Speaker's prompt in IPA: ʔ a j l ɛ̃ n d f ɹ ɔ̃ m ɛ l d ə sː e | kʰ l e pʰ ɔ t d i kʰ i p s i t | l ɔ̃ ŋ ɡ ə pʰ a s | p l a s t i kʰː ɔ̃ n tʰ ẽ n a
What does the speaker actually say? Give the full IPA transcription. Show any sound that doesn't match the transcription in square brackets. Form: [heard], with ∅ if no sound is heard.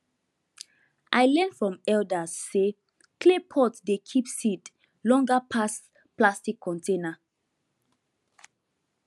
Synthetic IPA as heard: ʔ a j l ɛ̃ n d f ɹ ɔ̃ m ɛ l d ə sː e | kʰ l e pʰ ɔ t d [e] kʰ i p s i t | l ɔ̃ ŋ ɡ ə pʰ a s | p l a s t i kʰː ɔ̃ n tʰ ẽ n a